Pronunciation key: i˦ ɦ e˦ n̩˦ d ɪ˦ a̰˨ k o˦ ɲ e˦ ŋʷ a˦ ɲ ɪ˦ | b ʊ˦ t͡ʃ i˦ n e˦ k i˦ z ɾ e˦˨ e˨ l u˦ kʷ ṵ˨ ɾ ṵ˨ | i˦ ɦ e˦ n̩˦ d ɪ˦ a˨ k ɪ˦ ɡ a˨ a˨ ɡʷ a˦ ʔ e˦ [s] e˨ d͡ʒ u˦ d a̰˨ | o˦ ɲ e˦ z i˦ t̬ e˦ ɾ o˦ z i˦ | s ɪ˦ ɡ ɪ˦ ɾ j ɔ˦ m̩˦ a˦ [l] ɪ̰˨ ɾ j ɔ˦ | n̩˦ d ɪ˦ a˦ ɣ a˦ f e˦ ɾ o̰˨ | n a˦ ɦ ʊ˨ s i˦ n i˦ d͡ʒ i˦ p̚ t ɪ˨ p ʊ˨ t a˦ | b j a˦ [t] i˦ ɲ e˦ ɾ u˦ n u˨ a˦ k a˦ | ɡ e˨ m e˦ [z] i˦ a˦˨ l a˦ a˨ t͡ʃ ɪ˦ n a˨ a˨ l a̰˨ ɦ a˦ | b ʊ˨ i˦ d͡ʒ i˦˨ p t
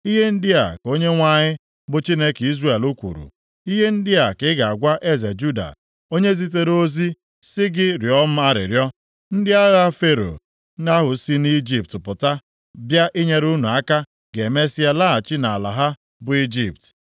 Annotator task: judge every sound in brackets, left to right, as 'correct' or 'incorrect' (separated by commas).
incorrect, incorrect, incorrect, incorrect